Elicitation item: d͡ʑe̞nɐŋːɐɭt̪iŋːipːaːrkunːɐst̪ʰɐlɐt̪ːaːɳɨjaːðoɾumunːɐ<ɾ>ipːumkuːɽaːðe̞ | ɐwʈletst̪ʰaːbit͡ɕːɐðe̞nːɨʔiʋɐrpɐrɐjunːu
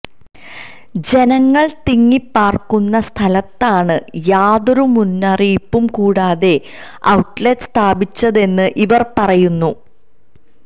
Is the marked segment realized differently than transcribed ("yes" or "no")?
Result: yes